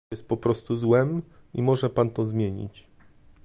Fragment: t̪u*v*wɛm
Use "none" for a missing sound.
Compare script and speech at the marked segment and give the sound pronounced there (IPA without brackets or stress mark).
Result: z